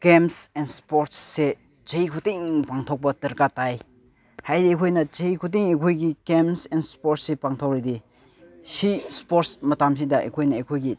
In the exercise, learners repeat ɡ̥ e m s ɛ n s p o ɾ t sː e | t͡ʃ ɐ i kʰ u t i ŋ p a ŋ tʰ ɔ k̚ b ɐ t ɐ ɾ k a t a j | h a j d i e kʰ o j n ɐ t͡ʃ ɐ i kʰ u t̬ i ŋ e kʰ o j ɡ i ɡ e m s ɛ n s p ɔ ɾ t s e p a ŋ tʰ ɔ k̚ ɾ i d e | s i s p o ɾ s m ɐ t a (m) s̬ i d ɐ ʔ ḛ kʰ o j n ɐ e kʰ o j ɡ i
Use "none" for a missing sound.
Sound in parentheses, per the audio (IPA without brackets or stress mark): m